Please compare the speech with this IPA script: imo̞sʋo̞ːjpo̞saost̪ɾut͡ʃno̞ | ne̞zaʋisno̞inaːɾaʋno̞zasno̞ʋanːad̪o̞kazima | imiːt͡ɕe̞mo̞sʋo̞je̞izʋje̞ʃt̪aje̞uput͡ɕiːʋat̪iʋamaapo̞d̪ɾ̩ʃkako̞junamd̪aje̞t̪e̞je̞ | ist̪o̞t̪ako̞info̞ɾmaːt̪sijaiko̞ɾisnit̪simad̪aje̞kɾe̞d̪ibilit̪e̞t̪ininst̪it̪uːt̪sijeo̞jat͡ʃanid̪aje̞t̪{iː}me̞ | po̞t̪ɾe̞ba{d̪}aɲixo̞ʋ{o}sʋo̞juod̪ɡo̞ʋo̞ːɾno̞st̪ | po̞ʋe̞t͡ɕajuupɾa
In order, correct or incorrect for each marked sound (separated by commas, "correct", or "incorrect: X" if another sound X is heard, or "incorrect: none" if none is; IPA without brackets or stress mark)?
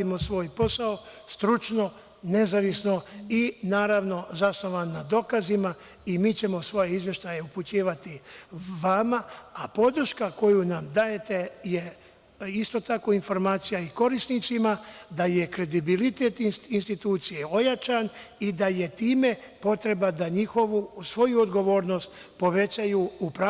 correct, correct, incorrect: u